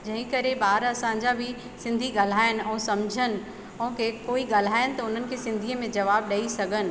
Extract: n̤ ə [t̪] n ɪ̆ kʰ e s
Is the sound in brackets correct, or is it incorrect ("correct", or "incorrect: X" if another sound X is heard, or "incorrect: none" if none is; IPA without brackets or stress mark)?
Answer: incorrect: none